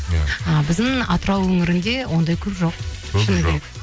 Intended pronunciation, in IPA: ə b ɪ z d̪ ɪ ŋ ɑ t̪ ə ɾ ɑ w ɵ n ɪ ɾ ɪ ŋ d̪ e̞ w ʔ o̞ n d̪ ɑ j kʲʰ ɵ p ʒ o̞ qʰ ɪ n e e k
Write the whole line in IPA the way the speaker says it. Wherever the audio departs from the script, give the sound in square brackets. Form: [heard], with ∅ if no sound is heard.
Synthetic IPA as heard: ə b ɪ z d̪ ɪ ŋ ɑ t̪ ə ɾ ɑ w ɵ [ŋ] ɪ ɾ ɪ [n] d̪ e̞ w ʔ o̞ n d̪ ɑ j kʲʰ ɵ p ʒ o̞ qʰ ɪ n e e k